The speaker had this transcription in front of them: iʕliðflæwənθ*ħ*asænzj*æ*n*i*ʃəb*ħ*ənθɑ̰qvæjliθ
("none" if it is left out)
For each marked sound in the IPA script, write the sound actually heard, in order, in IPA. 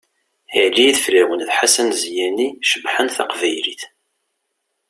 ħ, æ, i, ħ

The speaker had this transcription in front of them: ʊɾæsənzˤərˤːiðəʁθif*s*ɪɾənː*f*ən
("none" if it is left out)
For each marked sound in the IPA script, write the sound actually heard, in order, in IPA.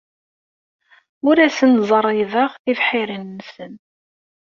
ħ, s

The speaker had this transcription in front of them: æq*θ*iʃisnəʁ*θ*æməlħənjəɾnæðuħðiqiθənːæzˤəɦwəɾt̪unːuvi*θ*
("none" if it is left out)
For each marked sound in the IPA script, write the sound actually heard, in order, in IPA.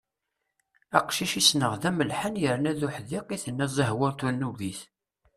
ʃ, ð, θ

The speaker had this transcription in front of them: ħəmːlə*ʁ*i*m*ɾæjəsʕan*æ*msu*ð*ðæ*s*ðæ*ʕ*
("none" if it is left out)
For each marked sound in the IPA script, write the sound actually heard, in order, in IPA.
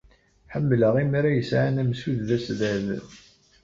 ʁ, m, æ, ð, s, ð

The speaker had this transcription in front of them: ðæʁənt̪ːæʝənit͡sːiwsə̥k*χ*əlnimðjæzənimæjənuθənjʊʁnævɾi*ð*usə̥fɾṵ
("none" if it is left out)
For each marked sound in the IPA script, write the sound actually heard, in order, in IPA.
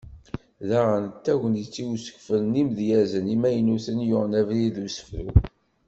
f, ð

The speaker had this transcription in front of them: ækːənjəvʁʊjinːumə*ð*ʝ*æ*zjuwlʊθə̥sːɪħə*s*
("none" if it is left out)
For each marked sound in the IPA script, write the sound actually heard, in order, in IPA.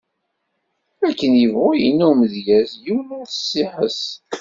ð, æ, s

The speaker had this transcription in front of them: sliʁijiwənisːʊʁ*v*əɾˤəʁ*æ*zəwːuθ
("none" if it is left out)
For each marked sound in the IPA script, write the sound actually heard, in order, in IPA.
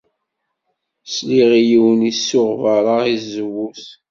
v, i

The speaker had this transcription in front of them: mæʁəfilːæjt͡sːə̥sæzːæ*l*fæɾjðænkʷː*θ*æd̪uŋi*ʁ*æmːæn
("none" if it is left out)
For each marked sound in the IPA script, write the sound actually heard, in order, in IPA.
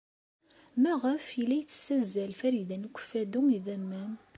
l, f, ð

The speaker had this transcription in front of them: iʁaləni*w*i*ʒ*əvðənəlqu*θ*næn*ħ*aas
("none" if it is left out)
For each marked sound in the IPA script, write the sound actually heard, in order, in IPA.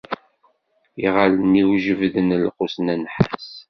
w, ʒ, s, ħ

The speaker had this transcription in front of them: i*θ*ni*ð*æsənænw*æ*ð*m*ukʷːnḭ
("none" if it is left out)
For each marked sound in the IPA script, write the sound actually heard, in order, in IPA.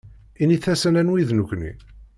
none, θ, i, n

